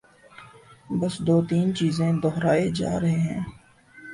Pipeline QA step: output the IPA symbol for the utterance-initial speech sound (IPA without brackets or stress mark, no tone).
b